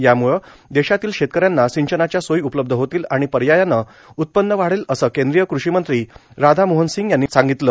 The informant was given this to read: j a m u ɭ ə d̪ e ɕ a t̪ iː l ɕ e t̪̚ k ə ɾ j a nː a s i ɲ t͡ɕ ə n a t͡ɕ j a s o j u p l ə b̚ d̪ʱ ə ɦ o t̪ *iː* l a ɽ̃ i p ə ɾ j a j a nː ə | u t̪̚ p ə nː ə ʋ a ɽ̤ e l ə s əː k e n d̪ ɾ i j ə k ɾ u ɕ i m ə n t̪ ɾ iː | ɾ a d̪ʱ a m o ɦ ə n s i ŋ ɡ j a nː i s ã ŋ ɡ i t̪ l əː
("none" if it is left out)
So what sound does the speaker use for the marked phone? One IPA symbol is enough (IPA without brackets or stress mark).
iː